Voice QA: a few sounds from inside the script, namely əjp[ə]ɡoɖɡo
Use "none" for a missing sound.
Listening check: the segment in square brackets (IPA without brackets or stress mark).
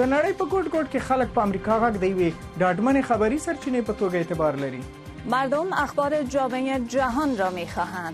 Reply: ə